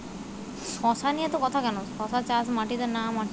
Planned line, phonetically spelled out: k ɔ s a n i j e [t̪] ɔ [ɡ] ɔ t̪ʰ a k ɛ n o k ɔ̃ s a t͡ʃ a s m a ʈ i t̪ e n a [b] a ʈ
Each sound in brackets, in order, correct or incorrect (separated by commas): correct, incorrect, incorrect